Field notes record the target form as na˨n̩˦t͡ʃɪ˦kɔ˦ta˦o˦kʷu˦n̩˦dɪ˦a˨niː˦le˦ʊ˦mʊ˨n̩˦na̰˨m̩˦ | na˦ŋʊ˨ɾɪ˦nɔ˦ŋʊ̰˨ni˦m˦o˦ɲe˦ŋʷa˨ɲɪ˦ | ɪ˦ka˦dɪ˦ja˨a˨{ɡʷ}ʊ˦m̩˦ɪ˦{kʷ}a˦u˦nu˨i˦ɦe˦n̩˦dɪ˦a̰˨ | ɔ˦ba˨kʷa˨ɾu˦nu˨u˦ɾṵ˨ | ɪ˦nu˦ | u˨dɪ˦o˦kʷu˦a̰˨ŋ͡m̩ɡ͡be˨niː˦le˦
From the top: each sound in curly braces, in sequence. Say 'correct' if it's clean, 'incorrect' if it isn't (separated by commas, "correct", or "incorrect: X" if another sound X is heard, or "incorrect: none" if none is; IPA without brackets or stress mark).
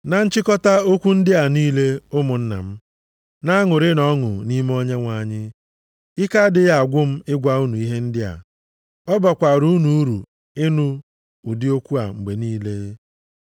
correct, incorrect: ɡʷ